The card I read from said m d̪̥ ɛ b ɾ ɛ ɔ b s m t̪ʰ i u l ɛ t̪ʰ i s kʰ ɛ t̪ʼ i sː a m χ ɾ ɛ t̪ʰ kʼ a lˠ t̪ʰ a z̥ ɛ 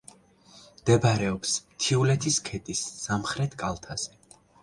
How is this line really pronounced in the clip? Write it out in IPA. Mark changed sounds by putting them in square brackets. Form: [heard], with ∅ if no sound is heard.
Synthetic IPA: m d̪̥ ɛ b ɾ ɛ ɔ [p] s m t̪ʰ i u l ɛ t̪ʰ i s kʰ ɛ t̪ʼ i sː a m χ ɾ ɛ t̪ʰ kʼ a lˠ t̪ʰ a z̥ ɛ